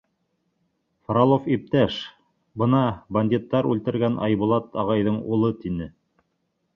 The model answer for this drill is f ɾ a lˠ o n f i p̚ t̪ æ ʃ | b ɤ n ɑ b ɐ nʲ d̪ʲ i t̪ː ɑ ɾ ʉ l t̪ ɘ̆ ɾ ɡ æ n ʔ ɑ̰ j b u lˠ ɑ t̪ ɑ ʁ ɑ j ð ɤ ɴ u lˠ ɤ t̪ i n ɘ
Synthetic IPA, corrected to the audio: f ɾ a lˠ o f i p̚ t̪ æ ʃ | b ɤ n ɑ b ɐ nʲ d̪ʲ i t̪ː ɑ ɾ ʉ l t̪ ɘ̆ ɾ ɡ æ n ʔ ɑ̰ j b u lˠ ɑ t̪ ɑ ʁ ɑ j ð ɤ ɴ u lˠ ɤ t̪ i n ɘ